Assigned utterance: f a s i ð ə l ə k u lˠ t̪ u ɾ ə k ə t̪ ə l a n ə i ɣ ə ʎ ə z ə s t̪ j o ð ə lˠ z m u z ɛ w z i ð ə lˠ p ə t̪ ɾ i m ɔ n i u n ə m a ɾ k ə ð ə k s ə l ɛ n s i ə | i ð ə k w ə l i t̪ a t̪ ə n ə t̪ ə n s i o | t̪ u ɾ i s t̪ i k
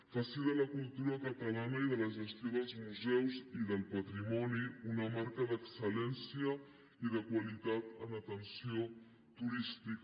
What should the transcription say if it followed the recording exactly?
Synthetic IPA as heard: f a s i ð ə l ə k u lˠ t̪ u ɾ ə k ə t̪ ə l a n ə i ð ə l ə ʒ ə s t̪ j o ð ə lˠ z m u z ɛ w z i ð ə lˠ p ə t̪ ɾ i m ɔ n i u n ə m a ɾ k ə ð ə k s ə l ɛ n s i ə | i ð ə k w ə l i t̪ a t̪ ə n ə t̪ ə n s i o | t̪ u ɾ i s t̪ i k